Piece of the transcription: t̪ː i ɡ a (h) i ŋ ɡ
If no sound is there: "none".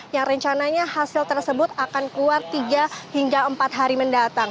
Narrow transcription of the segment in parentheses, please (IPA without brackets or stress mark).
h